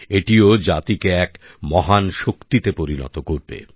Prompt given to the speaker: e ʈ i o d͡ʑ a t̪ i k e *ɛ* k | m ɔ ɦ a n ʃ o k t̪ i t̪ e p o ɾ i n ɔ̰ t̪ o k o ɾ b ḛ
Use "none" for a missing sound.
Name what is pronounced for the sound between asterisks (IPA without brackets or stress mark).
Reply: ɛ